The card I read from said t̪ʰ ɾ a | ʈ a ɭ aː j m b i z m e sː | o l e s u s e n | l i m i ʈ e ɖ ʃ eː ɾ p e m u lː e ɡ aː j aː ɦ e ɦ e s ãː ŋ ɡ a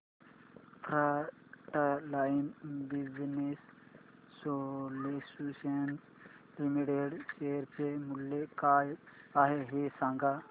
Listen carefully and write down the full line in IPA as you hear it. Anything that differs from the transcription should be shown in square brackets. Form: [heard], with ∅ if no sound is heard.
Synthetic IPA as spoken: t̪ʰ ɾ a | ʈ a [l] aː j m b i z [n] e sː | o l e s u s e n | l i m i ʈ e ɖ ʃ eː ɾ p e m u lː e [k] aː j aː ɦ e ɦ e s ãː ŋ ɡ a